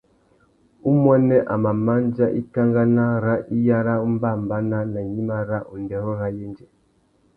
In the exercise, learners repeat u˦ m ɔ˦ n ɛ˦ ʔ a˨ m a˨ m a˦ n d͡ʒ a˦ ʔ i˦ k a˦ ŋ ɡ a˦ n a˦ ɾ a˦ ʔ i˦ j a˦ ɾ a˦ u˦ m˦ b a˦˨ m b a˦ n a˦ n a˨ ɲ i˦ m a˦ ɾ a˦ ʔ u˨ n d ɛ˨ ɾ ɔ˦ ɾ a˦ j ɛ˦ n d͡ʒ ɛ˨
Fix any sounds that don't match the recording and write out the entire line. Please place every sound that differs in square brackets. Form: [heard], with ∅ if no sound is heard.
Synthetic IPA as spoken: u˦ m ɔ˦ n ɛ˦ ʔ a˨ m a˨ m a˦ n d͡ʒ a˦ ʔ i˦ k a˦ ŋ ɡ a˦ n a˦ ɾ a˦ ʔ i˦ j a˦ ɾ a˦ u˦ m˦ b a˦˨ m b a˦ n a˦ n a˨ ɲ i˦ m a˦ ɾ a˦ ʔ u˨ n d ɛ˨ ɾ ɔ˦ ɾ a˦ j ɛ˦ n d͡ʒ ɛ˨